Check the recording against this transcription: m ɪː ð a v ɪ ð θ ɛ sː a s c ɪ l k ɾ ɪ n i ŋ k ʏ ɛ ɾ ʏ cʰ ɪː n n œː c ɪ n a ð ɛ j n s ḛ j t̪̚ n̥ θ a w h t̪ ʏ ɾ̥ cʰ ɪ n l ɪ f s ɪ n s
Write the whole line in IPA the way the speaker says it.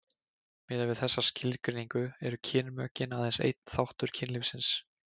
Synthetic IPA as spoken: m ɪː ð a v ɪ ð θ ɛ sː a s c ɪ l k ɾ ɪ n i ŋ k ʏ ɛ ɾ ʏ cʰ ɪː n m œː c ɪ n a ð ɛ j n s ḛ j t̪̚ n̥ θ a w h t̪ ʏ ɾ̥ cʰ ɪ n l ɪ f s ɪ n s